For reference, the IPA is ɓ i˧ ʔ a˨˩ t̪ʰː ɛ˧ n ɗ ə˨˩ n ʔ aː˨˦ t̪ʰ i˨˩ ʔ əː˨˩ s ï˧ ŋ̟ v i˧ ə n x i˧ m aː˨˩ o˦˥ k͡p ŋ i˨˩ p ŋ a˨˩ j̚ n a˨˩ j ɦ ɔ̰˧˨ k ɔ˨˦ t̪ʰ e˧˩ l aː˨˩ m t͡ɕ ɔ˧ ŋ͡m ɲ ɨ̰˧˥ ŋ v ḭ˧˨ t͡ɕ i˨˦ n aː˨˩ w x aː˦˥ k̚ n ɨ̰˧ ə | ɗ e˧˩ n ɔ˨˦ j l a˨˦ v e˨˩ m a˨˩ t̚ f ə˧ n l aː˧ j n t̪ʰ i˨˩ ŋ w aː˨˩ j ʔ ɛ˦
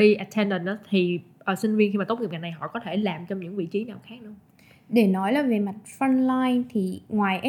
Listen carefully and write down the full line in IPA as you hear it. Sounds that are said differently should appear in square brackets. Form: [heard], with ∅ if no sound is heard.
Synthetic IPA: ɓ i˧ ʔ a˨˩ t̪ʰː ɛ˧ n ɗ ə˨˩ n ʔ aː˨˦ t̪ʰ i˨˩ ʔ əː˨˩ s ï˧ ŋ̟ v i˧ ə n x i˧ m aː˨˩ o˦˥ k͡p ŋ i˨˩ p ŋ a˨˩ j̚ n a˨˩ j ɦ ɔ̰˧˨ k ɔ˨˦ t̪ʰ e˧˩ l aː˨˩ m t͡ɕ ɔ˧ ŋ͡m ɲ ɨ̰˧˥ ŋ v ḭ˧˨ t͡ɕ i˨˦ n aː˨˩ w x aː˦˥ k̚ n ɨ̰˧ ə | ɗ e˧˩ n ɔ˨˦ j l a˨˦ v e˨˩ m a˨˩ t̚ f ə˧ n l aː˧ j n t̪ʰ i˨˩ ŋ w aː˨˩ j ʔ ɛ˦